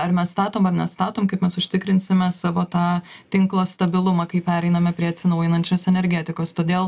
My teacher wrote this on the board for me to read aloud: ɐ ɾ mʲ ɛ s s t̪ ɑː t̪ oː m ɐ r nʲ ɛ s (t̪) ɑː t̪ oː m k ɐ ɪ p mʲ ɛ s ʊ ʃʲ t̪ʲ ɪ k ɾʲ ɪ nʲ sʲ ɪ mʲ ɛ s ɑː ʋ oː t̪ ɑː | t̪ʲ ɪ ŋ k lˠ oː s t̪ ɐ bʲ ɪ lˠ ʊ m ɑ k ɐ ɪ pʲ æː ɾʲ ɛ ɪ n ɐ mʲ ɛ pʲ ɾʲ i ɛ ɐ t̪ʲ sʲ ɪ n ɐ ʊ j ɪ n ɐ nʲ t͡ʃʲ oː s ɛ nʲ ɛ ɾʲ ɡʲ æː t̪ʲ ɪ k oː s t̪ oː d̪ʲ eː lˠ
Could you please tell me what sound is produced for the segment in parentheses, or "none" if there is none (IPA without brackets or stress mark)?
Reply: t̪